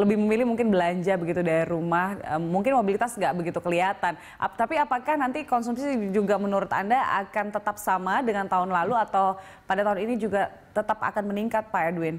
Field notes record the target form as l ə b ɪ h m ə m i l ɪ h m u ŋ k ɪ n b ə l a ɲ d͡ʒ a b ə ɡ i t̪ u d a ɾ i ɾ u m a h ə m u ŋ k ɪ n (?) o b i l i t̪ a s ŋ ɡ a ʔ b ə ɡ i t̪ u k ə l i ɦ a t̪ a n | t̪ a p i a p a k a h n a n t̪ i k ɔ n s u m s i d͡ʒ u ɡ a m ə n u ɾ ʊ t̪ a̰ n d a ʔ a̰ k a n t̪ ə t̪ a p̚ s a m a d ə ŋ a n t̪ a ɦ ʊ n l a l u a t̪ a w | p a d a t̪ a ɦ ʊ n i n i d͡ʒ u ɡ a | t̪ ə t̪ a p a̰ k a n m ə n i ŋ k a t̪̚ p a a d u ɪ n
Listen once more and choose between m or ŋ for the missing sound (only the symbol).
m